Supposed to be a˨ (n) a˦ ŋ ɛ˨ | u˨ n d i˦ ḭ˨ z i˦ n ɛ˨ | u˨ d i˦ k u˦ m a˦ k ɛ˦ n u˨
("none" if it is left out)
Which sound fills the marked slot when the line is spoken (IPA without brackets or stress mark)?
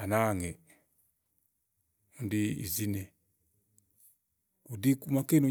n